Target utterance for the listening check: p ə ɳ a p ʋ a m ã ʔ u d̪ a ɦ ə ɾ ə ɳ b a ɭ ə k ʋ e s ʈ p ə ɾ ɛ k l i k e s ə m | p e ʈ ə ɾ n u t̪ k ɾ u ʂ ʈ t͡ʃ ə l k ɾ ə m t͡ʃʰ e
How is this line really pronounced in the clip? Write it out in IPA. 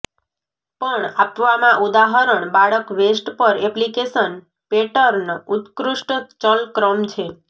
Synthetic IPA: p ə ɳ a p ʋ a m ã ʔ u d̪ a ɦ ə ɾ ə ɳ b a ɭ ə k ʋ e s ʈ p ə ɾ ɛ p l i k e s ə n | p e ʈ ə ɾ n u t̪ k ɾ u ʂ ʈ t͡ʃ ə l k ɾ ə m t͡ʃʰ e